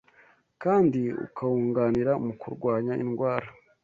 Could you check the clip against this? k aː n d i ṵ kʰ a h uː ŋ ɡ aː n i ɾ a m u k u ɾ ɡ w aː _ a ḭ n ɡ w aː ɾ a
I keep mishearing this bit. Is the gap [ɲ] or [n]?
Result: ɲ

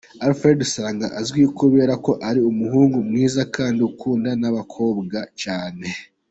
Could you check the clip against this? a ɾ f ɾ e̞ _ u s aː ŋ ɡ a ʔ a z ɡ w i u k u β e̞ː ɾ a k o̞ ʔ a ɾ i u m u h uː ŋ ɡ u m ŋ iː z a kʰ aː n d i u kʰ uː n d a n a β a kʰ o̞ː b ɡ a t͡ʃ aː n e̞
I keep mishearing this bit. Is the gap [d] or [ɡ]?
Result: d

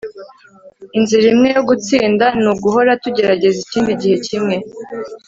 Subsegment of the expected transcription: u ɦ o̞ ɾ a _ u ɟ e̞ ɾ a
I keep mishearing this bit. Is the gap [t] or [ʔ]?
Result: t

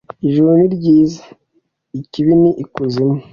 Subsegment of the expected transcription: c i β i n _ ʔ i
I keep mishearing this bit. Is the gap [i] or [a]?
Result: i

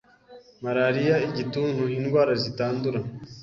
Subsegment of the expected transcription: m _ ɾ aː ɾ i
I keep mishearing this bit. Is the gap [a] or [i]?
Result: a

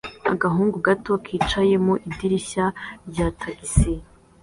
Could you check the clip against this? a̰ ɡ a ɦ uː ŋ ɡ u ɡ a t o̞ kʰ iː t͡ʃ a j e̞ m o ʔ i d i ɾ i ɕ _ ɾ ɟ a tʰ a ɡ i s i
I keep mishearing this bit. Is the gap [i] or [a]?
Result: a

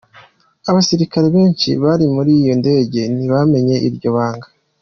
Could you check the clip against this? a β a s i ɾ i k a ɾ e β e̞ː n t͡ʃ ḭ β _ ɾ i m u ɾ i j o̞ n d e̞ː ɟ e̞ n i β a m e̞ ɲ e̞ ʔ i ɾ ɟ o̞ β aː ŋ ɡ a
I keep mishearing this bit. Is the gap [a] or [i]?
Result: a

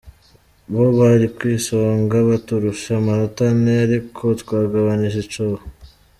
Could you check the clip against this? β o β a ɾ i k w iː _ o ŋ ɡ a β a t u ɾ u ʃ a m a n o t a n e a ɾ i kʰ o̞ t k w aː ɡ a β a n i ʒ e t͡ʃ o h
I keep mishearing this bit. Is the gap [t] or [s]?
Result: s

